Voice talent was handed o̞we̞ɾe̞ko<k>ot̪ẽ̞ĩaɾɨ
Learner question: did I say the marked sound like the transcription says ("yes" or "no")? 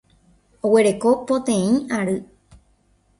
no